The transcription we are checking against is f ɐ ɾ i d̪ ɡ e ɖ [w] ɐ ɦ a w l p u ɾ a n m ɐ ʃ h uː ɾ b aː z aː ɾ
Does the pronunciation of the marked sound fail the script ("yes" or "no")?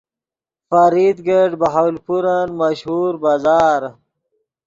yes